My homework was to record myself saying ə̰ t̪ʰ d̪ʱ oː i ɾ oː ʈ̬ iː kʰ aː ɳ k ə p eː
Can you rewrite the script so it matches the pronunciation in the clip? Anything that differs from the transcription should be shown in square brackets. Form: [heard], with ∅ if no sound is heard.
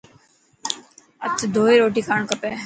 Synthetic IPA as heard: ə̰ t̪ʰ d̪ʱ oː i ɾ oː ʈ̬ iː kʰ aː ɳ k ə p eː